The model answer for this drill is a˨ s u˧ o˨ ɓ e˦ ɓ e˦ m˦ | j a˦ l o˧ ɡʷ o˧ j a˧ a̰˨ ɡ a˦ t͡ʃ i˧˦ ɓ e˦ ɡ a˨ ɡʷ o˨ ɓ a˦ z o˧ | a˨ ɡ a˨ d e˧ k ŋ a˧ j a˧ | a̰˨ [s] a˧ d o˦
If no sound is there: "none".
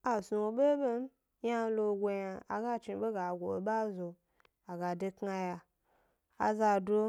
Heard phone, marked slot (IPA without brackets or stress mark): z